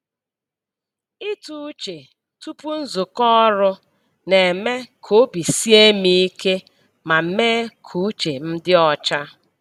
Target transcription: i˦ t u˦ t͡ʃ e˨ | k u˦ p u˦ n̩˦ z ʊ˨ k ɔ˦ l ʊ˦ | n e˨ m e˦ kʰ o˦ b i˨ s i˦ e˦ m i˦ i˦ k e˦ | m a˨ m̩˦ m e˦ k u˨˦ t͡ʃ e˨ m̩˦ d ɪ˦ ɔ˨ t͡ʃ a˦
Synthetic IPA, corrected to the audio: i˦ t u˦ t͡ʃ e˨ | t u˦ p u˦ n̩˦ z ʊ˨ k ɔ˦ ɾ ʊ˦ | n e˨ m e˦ kʰ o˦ b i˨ s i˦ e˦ m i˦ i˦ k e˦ | m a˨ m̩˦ m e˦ kʰ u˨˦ t͡ʃ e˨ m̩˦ d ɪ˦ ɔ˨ t͡ʃ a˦